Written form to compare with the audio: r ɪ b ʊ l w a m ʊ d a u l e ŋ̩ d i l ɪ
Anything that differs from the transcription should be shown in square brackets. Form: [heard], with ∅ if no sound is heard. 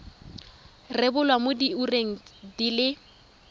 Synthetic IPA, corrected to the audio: r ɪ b ʊ l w a m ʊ d [i] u [r] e ŋ̩ d i l ɪ